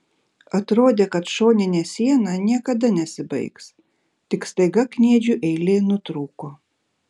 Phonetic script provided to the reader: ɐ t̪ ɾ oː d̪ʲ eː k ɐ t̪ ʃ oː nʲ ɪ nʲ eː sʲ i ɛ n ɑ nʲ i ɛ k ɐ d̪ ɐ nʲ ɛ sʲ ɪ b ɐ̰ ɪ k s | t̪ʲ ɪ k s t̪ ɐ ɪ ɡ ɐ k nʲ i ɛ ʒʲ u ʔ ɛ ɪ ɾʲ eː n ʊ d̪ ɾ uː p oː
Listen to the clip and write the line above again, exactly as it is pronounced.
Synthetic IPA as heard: ɐ t̪ ɾ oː d̪ʲ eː k ɐ t̪ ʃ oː nʲ ɪ nʲ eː sʲ i ɛ n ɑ nʲ i ɛ k ɐ d̪ ɐ nʲ ɛ sʲ ɪ b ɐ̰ ɪ k s | t̪ʲ ɪ k s t̪ ɐ ɪ ɡ ɐ k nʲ i ɛ d͡ʒʲ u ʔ ɛ ɪ lʲ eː n ʊ t̪ ɾ uː k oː